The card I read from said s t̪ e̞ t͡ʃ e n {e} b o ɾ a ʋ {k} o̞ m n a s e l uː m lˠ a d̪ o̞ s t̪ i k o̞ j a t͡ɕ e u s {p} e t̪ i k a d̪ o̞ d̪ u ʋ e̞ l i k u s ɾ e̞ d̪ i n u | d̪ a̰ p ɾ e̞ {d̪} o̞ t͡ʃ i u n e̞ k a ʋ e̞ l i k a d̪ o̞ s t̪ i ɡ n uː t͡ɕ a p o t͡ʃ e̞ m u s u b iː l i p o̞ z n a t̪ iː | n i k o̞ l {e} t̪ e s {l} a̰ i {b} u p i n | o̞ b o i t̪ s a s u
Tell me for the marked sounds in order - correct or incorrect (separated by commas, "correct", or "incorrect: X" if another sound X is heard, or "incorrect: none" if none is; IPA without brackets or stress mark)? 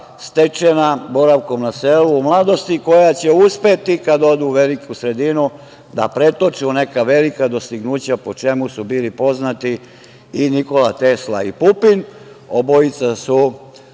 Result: incorrect: a, correct, correct, incorrect: t̪, incorrect: a, correct, incorrect: p